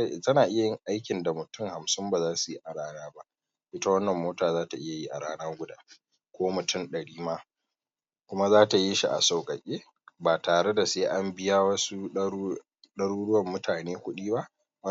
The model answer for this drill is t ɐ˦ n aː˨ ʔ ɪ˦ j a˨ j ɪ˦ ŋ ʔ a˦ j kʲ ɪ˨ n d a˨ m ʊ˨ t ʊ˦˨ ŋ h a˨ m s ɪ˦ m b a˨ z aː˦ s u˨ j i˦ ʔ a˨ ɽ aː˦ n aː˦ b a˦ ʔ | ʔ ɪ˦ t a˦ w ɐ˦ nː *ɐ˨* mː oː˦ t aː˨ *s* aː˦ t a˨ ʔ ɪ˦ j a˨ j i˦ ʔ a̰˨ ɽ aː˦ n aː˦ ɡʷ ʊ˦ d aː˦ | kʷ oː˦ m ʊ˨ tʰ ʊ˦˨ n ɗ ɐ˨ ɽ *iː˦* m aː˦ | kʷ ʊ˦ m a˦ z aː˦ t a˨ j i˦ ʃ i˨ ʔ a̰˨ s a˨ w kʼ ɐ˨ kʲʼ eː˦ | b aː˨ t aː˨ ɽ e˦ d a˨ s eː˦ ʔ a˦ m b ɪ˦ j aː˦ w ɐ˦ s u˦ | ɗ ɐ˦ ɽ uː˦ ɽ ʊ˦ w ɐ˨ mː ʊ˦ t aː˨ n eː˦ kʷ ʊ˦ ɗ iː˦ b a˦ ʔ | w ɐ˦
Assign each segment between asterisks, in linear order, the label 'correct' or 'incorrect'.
correct, incorrect: z, correct

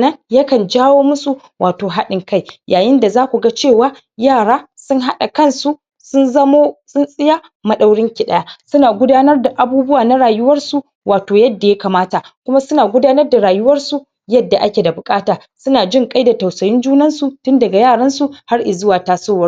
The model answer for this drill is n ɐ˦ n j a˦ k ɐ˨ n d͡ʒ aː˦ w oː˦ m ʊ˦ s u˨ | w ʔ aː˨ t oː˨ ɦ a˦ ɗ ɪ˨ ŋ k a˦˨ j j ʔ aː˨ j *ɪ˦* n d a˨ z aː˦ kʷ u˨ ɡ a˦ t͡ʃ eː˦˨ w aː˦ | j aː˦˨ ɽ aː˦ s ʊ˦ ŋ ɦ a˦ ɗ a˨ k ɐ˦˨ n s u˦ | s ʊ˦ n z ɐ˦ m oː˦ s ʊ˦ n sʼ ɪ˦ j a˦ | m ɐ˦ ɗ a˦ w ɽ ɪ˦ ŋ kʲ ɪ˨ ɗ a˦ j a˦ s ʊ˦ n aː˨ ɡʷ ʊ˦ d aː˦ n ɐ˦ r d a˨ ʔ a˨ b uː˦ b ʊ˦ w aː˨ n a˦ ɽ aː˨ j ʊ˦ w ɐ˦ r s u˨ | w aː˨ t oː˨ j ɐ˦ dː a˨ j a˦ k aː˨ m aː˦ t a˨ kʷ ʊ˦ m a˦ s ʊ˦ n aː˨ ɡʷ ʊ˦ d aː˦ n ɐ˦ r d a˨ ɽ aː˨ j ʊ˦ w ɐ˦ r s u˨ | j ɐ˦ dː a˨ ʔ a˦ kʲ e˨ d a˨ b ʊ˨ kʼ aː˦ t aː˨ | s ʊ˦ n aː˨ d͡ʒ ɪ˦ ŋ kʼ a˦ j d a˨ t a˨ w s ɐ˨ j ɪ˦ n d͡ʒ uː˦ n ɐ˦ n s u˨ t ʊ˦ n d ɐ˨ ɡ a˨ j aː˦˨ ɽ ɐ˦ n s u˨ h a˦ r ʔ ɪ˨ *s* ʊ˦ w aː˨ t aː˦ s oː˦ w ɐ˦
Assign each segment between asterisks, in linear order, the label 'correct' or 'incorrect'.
correct, incorrect: z

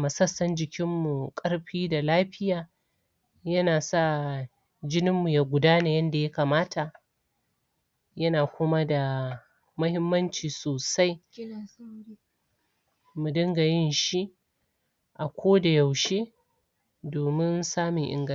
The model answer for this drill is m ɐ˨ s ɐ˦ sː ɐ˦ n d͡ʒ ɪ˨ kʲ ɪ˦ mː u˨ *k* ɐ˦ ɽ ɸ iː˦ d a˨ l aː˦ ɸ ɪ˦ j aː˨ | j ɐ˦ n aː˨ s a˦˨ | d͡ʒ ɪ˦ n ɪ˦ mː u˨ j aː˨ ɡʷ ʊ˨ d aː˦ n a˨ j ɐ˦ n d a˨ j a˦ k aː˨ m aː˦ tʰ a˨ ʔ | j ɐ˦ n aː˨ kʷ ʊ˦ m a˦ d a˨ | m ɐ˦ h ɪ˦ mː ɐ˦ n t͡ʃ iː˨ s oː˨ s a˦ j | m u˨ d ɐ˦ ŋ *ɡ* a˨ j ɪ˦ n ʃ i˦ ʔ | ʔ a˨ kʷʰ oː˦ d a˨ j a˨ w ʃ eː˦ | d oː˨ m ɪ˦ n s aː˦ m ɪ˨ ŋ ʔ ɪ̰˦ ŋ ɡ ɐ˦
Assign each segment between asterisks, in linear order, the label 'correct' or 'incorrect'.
incorrect: kʼ, correct

